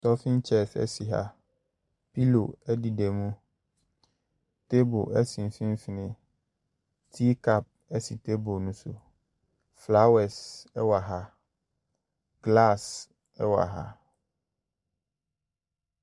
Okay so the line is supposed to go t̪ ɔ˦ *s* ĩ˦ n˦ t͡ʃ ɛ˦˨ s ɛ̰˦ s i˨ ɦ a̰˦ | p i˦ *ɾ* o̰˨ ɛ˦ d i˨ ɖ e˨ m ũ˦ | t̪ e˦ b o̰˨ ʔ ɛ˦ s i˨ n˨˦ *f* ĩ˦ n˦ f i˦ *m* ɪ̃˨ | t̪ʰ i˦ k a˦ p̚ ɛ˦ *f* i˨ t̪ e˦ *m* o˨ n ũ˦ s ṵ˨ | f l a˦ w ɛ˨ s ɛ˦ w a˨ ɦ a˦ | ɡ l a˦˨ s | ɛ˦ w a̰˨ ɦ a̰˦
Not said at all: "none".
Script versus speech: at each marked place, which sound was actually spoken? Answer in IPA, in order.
f, l, f, n, s, b

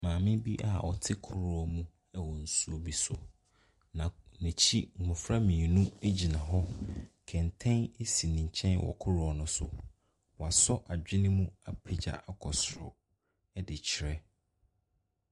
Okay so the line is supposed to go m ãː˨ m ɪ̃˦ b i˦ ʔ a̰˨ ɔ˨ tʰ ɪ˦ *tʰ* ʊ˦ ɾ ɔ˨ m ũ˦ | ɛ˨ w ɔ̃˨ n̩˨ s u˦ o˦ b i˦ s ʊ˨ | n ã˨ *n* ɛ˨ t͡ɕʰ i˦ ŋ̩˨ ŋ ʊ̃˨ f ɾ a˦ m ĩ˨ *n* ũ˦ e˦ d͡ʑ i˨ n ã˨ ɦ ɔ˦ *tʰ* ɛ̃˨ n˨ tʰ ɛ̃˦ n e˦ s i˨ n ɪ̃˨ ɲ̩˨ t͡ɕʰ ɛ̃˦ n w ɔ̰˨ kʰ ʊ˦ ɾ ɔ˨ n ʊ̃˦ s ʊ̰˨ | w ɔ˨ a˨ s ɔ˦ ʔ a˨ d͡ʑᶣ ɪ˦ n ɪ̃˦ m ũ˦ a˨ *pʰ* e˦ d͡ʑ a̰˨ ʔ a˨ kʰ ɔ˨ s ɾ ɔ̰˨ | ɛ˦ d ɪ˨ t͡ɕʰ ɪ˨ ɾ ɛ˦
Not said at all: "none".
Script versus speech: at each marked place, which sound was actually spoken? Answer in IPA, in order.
kʰ, n, n, kʰ, pʰ

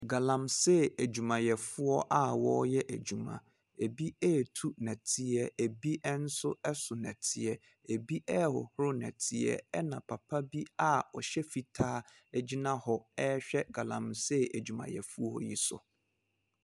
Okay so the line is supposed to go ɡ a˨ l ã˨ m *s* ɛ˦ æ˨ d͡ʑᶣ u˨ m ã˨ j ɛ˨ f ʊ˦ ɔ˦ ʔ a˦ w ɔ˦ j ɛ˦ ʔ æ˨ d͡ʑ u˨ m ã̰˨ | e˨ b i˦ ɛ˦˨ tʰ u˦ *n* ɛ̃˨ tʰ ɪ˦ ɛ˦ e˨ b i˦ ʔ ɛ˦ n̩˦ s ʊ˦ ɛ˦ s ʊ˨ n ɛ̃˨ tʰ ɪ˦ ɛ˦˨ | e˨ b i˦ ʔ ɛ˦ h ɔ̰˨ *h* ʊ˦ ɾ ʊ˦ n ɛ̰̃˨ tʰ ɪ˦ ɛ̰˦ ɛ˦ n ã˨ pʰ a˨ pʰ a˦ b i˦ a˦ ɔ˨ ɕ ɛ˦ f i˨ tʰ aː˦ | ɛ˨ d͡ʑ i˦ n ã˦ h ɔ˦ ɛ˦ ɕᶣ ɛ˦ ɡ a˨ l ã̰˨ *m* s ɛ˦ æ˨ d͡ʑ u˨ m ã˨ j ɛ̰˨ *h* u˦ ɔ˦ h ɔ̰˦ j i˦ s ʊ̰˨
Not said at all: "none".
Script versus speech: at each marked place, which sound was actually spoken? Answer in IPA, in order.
s, n, h, m, f

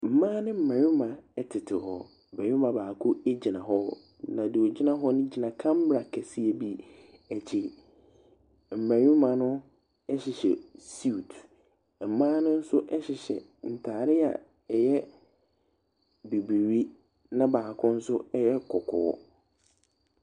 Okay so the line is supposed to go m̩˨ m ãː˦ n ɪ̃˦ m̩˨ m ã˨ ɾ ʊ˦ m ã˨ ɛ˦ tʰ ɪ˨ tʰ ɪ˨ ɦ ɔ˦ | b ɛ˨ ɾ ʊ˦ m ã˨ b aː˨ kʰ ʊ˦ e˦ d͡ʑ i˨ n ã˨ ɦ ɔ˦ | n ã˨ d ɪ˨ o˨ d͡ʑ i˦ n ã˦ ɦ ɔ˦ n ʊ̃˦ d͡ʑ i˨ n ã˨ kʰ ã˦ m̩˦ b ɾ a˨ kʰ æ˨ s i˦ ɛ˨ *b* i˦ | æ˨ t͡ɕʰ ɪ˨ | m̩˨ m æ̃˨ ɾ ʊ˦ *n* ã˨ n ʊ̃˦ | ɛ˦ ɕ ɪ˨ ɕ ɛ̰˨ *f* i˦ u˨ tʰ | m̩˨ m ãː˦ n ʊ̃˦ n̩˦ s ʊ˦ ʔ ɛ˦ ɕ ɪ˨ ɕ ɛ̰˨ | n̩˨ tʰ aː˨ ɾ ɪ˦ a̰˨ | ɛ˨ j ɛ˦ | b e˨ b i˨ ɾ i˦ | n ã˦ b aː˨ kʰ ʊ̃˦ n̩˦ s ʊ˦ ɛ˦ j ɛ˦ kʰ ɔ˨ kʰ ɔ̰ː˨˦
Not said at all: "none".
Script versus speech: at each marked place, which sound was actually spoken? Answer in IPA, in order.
b, m, s

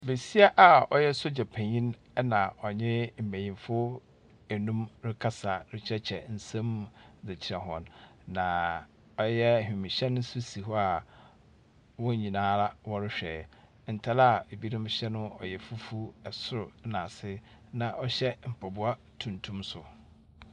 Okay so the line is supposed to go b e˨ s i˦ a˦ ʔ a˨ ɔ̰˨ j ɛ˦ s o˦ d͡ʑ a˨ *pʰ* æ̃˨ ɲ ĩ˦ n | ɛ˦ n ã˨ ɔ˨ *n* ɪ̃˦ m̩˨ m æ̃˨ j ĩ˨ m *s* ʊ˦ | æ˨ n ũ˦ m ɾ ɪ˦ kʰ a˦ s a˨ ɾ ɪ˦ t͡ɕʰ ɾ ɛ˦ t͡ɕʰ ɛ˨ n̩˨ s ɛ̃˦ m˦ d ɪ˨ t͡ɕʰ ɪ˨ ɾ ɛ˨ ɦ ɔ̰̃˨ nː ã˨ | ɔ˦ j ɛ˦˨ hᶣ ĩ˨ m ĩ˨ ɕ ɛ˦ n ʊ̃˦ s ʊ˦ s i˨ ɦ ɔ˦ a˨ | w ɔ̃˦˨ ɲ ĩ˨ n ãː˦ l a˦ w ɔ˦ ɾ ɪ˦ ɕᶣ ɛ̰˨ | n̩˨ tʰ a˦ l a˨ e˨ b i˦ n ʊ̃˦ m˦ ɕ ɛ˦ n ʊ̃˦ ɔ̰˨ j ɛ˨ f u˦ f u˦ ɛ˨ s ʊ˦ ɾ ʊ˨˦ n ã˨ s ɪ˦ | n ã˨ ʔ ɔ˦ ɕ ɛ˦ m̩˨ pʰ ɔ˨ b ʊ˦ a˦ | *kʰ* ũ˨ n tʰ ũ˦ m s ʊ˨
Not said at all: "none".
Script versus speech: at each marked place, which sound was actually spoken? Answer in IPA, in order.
pʰ, ɲ, f, tʰ

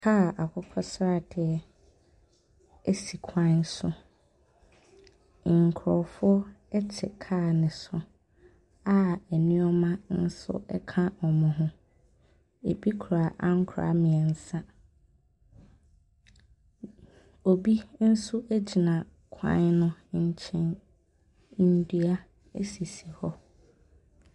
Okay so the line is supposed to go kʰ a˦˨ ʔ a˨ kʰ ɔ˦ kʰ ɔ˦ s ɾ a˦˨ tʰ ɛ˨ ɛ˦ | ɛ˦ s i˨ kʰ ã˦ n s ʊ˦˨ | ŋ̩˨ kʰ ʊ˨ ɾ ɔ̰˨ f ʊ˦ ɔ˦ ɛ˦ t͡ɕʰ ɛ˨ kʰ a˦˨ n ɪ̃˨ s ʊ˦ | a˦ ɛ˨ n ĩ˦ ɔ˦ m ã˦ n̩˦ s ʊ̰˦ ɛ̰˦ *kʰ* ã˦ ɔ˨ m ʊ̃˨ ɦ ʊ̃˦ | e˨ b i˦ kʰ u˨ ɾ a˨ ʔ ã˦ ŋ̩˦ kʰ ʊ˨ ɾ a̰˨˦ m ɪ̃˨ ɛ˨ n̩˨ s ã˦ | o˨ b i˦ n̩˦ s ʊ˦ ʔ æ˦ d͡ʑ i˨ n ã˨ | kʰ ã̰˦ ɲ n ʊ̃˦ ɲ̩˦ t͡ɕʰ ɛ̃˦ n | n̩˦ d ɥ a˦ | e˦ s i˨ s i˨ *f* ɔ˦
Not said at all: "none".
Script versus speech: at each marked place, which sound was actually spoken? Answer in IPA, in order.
kʰ, h

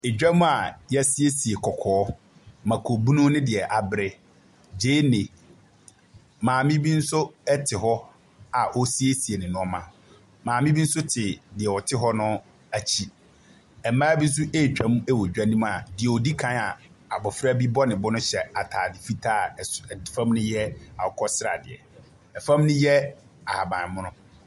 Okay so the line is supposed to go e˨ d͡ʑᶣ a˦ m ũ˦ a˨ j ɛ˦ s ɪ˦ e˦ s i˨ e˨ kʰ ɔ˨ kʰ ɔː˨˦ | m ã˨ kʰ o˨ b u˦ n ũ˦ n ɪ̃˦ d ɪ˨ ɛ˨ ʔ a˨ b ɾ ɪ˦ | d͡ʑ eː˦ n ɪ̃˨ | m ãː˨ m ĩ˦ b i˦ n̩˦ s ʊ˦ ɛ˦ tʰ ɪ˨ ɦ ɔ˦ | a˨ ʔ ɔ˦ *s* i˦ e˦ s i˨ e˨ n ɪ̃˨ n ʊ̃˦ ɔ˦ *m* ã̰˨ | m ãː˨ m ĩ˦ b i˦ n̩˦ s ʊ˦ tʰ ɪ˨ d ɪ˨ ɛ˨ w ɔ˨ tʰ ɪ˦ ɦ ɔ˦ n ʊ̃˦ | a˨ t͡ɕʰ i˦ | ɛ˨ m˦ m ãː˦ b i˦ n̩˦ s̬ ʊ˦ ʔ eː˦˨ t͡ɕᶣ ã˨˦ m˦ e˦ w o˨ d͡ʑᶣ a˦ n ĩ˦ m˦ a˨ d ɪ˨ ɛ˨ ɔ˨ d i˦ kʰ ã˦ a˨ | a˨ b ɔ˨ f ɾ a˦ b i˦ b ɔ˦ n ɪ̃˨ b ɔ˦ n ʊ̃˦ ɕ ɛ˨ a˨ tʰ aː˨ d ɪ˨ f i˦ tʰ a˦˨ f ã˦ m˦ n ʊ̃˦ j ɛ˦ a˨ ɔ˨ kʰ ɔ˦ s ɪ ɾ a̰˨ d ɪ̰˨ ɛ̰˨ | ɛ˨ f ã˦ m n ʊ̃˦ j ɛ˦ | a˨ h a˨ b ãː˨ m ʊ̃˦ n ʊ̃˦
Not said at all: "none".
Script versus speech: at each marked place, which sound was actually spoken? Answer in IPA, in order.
s, m

